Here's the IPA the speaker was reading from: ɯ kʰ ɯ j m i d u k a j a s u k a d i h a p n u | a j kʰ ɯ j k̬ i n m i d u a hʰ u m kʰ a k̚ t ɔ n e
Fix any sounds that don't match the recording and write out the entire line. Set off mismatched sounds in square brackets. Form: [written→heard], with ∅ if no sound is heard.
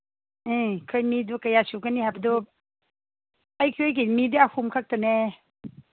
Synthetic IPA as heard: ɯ kʰ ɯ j m i d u k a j a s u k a [d→n] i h a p [n→d] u | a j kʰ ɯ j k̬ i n m i d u a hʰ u m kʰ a k̚ t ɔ n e

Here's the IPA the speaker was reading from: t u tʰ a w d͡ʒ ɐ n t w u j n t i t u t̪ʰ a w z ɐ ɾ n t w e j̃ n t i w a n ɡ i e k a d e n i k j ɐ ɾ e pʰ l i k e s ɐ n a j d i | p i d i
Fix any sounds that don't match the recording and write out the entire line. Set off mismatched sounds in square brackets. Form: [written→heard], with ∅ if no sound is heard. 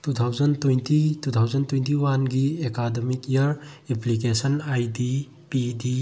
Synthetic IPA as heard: t u tʰ a w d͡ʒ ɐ n t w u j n t i t u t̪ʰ a w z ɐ [ɾ→∅] n t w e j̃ n t i w a n ɡ i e k a d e [n→m] i k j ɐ ɾ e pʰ l i k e s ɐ n a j d i | p i d i

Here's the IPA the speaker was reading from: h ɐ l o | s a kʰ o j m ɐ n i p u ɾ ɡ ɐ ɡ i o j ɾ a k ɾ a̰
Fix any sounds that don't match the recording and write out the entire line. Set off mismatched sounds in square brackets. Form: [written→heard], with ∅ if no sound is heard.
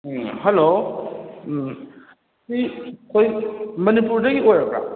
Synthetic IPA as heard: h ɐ l o | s [a→i] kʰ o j m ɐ n i p u ɾ [ɡ→d] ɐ ɡ i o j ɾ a k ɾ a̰

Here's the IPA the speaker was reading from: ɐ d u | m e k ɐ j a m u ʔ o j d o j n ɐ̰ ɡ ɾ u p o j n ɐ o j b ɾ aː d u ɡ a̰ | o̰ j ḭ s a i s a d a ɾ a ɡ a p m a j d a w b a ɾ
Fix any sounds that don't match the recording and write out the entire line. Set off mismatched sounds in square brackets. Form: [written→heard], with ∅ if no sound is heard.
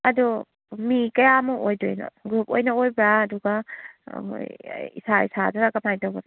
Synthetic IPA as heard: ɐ d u | m [e→i] k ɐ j a m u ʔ o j d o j n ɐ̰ ɡ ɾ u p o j n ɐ o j b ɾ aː d u ɡ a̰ | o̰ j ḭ s a i s a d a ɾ a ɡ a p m a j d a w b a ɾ

